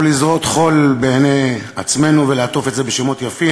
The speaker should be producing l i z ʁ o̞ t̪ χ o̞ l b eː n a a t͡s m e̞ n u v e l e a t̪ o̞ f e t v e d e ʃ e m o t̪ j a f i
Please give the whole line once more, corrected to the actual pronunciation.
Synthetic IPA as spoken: l i z ʁ o̞ t̪ χ o̞ l b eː n e a t͡s m e̞ n u v e l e a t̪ o̞ f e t z e b e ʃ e m o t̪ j a f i